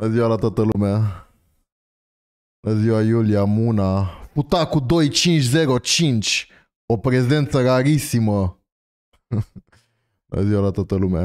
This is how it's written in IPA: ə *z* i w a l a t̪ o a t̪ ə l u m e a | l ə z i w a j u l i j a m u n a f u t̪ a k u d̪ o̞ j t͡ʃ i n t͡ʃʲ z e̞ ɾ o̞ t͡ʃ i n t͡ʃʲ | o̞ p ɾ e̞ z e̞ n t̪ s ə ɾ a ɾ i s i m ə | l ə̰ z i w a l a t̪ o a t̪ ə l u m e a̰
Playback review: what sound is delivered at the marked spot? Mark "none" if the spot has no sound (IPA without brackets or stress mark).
z